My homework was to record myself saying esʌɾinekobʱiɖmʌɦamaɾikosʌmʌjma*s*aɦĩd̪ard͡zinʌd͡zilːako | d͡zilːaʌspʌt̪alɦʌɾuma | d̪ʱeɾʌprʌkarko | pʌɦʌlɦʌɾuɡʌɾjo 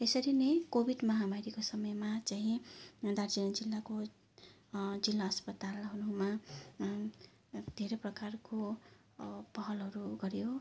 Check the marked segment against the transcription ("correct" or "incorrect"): incorrect